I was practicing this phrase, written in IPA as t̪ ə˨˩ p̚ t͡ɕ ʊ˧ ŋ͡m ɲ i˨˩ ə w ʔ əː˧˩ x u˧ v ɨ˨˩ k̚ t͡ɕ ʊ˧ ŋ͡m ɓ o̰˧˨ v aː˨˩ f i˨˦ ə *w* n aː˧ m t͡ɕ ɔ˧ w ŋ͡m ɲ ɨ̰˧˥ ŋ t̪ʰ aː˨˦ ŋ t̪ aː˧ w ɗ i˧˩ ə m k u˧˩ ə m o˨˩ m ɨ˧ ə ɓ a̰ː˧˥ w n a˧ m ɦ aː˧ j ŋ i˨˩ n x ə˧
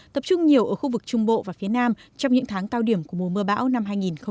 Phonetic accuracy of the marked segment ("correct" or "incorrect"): incorrect